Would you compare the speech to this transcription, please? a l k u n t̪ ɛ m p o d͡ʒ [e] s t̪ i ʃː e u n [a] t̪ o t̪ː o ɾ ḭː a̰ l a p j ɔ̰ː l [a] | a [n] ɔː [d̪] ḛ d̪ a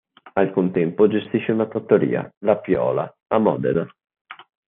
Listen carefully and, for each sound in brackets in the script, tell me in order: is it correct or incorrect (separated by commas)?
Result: correct, correct, correct, incorrect, correct